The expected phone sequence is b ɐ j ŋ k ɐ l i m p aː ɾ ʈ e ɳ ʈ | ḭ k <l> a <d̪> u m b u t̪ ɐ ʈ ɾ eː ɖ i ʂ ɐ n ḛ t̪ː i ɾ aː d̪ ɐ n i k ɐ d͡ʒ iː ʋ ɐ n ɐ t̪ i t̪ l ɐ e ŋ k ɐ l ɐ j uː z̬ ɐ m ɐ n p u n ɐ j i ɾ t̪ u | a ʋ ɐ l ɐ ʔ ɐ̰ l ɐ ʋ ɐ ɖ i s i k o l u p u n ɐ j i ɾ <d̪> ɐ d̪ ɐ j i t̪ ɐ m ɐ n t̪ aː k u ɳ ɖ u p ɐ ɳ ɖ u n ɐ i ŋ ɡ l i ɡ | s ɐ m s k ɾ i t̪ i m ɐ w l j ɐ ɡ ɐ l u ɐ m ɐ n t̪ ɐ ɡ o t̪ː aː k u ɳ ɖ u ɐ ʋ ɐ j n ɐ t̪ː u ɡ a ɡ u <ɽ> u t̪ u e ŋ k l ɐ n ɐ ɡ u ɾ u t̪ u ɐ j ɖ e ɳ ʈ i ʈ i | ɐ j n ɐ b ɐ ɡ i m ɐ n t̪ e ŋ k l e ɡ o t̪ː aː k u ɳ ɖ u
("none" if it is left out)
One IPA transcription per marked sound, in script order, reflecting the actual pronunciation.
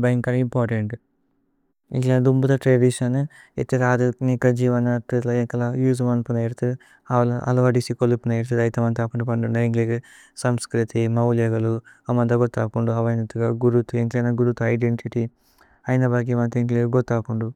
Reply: l, d̪, t̪, ɾ

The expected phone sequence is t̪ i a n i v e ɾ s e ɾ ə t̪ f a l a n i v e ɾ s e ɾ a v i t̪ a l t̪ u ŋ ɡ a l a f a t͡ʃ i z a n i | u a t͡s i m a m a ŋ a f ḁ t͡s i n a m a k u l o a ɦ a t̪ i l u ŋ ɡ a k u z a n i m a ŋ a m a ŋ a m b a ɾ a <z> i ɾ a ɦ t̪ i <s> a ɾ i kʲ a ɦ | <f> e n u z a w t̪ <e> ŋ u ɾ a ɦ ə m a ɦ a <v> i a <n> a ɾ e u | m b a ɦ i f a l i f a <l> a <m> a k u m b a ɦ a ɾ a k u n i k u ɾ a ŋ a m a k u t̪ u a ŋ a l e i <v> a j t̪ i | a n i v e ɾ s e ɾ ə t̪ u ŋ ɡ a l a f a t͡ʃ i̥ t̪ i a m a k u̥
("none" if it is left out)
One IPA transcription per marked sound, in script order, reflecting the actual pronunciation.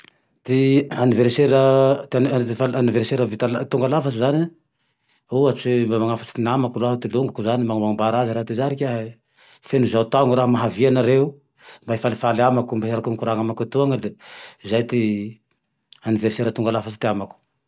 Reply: z, z, f, a, v, n, l, m, z

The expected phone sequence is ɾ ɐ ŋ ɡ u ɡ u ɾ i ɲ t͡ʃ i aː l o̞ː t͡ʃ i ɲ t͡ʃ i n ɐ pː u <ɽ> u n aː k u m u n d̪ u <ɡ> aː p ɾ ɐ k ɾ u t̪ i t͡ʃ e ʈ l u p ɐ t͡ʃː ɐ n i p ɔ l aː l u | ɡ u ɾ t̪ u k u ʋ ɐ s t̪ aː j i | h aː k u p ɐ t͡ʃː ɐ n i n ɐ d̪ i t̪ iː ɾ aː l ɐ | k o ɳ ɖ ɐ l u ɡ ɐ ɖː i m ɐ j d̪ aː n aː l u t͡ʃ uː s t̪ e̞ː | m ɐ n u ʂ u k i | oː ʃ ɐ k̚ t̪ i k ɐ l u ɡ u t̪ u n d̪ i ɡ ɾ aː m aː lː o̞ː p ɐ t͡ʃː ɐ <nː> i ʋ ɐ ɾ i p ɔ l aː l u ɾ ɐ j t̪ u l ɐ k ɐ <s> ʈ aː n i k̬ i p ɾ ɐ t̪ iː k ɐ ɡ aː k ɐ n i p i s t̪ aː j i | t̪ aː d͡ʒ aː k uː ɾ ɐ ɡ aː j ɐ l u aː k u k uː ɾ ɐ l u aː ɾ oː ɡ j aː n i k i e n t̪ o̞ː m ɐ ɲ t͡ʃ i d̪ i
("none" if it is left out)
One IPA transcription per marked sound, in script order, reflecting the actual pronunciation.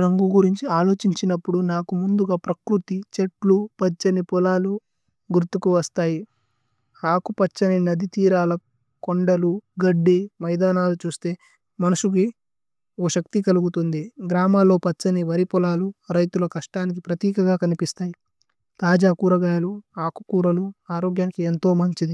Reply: ɽ, ɡ, n, ʂ

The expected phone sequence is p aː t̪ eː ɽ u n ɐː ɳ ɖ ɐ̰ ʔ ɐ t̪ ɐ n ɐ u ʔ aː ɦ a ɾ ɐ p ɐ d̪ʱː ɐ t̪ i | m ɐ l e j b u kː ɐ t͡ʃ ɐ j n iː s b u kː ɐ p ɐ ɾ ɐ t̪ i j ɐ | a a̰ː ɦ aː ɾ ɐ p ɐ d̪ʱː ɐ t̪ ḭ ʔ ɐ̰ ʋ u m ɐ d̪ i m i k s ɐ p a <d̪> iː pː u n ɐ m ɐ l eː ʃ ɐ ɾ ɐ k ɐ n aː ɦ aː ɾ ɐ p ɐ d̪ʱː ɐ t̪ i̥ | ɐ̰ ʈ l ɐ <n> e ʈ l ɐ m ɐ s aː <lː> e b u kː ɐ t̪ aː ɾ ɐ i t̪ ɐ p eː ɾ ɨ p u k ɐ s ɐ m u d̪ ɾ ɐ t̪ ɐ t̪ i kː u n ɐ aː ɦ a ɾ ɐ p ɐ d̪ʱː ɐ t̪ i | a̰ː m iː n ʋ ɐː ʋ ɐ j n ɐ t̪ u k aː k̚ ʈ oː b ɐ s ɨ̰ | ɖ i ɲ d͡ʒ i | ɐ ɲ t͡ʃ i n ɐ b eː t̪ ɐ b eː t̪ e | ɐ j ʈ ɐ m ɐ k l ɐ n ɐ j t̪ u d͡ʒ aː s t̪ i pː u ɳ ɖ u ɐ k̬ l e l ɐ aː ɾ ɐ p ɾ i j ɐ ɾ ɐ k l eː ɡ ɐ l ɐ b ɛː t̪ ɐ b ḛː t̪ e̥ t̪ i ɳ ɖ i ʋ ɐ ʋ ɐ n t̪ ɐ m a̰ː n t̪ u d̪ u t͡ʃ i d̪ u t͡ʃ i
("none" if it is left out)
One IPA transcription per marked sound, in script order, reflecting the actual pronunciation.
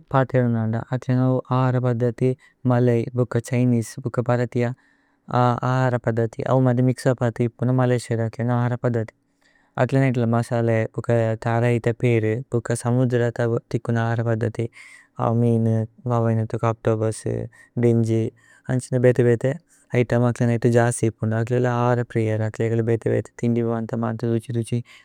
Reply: t̪, n, l

